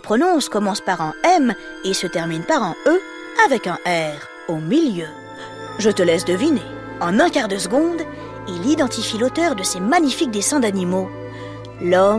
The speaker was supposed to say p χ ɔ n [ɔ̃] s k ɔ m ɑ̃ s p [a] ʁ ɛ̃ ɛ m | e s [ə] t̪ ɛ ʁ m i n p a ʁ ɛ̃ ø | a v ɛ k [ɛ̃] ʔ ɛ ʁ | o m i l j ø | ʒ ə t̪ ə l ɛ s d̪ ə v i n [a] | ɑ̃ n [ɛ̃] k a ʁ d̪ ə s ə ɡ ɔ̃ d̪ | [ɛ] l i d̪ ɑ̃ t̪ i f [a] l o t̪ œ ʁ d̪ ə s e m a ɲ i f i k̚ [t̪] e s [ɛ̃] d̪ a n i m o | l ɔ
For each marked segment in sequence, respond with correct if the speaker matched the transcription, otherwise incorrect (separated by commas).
correct, correct, correct, correct, incorrect, correct, incorrect, incorrect, incorrect, correct